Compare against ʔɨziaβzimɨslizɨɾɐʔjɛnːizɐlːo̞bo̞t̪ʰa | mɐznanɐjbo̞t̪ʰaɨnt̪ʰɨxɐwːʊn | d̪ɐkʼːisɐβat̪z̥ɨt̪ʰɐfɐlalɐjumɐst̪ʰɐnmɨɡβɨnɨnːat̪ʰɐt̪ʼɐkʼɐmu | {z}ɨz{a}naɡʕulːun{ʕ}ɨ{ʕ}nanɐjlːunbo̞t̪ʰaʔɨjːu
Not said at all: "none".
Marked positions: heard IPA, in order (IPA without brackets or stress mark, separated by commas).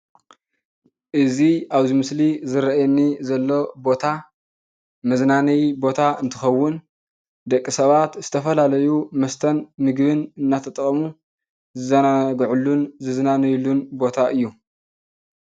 z, ɐ, z, z